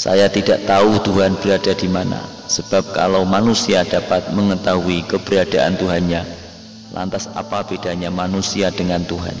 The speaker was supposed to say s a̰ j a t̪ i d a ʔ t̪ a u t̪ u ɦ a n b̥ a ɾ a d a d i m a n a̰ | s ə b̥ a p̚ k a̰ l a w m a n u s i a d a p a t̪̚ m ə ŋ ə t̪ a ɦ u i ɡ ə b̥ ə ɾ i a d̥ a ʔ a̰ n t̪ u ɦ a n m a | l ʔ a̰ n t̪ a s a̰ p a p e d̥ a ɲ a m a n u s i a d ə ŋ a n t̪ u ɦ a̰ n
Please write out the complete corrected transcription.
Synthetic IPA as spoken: s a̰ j a t̪ i d a ʔ t̪ a u t̪ u ɦ a n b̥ ə ɾ a d a d i m a n a̰ | s ə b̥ a p̚ k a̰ l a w m a n u s i a d a p a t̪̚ m ə ŋ ə t̪ a ɦ u i k ə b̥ ə ɾ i a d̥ a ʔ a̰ n t̪ u ɦ a n ɲ a | l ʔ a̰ n t̪ a s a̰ p a p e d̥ a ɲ a m a n u s i a d ə ŋ a n t̪ u ɦ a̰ n

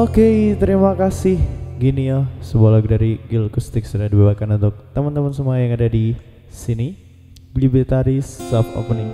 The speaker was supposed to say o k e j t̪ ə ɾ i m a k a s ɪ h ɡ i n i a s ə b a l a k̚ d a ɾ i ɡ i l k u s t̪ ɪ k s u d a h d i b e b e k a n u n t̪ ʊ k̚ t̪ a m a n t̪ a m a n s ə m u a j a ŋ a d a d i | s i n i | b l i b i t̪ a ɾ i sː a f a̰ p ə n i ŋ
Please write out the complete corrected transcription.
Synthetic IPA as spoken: o k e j t̪ ə ɾ i m a k a s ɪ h ɡ i n i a s ə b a l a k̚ d a ɾ i ɡ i l k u s t̪ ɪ k s u d a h d i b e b a k a n u n t̪ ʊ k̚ t̪ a m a n t̪ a m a n s ə m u a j a ŋ a d a d i | s i n i | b l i b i t̪ a ɾ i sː a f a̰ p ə n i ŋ

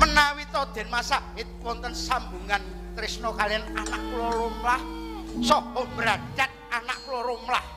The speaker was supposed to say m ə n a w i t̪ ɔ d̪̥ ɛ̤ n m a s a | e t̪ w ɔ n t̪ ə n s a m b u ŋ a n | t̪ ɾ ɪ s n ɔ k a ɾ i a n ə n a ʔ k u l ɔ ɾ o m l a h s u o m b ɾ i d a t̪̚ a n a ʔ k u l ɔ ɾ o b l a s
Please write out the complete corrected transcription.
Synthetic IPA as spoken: m ə n a w i t̪ ɔ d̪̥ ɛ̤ n m a s a | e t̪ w ɔ n t̪ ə n s a m b u ŋ a n | t̪ ɾ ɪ s n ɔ k a l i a n a n a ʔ k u l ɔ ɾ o m l a h s ɔ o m b ɾ a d a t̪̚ a n a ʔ k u l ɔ ɾ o m l a h

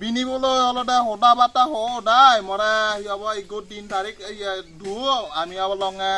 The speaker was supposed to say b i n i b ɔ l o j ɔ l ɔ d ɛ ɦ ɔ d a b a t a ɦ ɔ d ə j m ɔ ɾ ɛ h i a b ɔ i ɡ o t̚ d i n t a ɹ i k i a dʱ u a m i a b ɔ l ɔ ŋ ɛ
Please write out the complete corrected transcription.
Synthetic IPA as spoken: b i n i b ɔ l o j ɔ l ɔ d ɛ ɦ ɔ d a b a t a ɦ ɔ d a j m ɔ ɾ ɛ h i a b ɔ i ɡ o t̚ d i n t a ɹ i k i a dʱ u a m i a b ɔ l ɔ ŋ ɛ

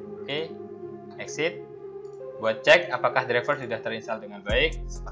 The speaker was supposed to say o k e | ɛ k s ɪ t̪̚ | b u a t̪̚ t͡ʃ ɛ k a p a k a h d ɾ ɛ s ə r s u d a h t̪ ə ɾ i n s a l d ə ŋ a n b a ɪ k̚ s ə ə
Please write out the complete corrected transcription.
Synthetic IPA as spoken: o k e | ɛ k s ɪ t̪̚ | b u a t̪̚ t͡ʃ ɛ k a p a k a h d ɾ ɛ f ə r s u d a h t̪ ə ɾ i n s a l d ə ŋ a n b a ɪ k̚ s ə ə

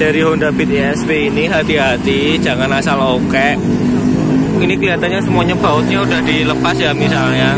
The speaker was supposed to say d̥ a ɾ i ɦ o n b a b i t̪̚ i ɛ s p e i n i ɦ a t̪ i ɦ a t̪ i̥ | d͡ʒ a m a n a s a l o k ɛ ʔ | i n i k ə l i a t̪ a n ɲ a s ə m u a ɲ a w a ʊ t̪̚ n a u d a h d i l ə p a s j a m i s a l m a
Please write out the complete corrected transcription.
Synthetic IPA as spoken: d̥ a ɾ i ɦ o n d a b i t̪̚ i ɛ s p e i n i ɦ a t̪ i ɦ a t̪ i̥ | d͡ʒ a ŋ a n a s a l o k ɛ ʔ | i n i k ə l i a t̪ a n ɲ a s ə m u a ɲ a b a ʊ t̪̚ ɲ a u d a h d i l ə p a s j a m i s a l ɲ a

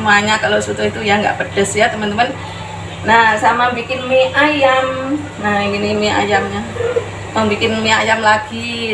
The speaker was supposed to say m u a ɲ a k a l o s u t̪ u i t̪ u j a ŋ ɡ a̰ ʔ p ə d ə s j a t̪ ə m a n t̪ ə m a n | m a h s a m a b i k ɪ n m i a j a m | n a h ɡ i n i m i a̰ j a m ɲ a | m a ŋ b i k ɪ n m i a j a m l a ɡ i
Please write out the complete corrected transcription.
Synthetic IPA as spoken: m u a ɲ a k a l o s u t̪ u i t̪ u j a ŋ ɡ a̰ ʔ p ə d ə s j a t̪ ə m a n t̪ ə m a n | n a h s a m a b i k ɪ n m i a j a m | n a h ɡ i n i m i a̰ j a m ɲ a | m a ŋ b i k ɪ n m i a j a m l a ɡ i

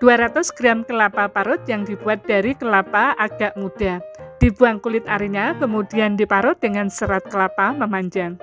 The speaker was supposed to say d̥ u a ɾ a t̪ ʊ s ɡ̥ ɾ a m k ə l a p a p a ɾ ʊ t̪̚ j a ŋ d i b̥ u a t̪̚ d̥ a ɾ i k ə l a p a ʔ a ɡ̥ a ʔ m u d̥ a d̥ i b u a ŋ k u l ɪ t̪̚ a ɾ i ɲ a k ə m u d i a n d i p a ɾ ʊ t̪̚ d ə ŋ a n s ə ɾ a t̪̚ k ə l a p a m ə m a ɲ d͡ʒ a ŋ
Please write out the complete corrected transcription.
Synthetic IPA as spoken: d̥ u a ɾ a t̪ ʊ s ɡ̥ ɾ a m k ə l a p a p a ɾ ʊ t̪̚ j a ŋ d i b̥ u a t̪̚ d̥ a ɾ i k ə l a p a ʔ a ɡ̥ a ʔ m u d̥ a d̥ i b u a ŋ k u l ɪ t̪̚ a ɾ i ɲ a k ə m u d i a n d i p a ɾ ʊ t̪̚ d ə ŋ a n s ə ɾ a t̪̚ k ə l a p a m ə m a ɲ d͡ʒ a ŋ

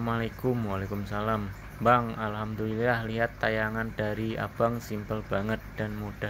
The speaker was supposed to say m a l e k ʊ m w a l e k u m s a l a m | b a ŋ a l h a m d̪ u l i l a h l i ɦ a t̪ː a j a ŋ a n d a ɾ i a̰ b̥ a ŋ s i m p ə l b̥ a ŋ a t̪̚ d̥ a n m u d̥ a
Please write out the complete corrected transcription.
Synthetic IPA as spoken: m a l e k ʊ m w a l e k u m s a l a m | b a ŋ a l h a m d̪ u l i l a h l i ɦ a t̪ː a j a ŋ a n d a ɾ i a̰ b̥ a ŋ s i m p ə l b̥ a ŋ ə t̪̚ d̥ a n m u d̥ a

